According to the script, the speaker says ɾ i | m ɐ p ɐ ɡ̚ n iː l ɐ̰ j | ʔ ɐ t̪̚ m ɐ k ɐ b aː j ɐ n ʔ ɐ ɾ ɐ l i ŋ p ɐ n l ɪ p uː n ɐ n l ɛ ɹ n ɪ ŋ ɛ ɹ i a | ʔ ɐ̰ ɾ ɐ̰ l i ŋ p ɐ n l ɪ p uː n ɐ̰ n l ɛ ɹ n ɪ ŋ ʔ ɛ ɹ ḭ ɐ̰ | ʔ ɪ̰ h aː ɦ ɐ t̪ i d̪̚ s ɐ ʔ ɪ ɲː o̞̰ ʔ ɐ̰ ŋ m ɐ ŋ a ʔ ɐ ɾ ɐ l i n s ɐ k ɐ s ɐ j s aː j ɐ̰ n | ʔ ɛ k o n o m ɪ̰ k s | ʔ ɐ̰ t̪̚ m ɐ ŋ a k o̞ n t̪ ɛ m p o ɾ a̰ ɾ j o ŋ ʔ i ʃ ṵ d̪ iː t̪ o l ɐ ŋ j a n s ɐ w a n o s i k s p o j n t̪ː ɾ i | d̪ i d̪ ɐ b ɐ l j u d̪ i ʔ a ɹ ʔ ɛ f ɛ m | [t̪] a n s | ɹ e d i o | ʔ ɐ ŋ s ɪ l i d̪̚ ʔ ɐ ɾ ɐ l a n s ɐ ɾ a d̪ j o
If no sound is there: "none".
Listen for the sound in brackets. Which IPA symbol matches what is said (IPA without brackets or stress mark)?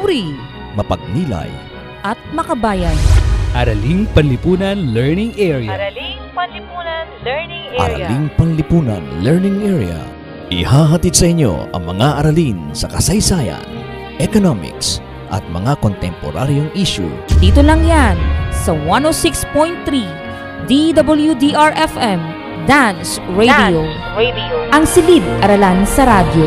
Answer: d̪